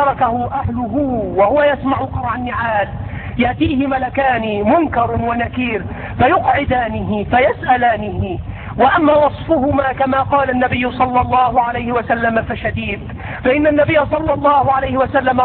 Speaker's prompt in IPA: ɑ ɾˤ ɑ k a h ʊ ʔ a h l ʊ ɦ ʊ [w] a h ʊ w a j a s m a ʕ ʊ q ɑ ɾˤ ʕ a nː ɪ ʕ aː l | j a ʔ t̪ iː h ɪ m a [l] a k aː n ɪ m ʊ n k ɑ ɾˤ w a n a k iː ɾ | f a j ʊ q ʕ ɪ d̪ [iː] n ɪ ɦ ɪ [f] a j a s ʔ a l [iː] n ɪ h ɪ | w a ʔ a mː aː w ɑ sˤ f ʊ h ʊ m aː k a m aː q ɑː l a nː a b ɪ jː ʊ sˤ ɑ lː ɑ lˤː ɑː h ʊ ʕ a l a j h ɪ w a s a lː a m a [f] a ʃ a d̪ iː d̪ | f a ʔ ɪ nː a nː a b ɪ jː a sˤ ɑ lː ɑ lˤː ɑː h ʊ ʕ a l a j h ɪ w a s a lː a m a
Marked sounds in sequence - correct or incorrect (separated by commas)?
correct, correct, incorrect, correct, incorrect, correct